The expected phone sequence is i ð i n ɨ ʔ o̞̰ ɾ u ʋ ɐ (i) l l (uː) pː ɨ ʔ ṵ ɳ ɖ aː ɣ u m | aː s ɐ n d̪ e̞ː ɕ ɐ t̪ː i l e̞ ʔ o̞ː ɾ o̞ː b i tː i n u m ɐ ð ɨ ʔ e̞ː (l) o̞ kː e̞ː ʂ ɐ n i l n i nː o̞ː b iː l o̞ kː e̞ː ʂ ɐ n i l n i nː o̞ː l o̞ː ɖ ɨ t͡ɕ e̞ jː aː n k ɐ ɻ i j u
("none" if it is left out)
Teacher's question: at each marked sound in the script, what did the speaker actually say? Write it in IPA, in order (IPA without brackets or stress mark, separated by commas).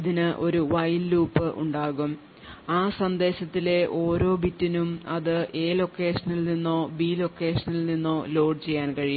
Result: j, uː, l